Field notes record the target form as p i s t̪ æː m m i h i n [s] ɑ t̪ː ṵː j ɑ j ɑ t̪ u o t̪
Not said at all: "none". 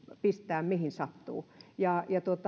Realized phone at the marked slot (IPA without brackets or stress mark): s